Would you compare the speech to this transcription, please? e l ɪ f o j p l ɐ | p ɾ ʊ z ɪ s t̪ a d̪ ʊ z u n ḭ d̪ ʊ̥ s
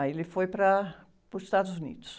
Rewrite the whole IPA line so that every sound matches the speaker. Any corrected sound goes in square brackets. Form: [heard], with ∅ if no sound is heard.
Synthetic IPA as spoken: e l ɪ f o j p [ɾ] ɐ | p ɾ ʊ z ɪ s t̪ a d̪ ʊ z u n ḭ d̪ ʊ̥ s